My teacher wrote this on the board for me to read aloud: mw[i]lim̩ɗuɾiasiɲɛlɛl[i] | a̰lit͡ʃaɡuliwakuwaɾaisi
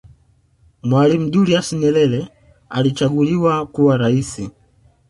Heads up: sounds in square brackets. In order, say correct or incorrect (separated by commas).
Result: incorrect, incorrect